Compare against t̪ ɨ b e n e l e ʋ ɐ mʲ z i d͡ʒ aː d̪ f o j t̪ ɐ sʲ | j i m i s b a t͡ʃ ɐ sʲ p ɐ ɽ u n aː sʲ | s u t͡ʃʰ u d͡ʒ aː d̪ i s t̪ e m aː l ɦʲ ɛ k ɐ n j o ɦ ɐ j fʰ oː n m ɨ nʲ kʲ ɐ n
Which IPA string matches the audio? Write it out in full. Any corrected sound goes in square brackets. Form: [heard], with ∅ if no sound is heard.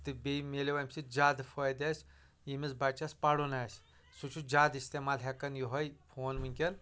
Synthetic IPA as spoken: t̪ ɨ b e [m] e l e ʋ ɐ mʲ [s] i d͡ʒ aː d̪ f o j [d̪] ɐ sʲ | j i m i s b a t͡ʃ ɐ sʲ p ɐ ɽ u n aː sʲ | s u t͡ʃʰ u d͡ʒ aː d̪ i s t̪ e m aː l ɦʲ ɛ k ɐ n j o ɦ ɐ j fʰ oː n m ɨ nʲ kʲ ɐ n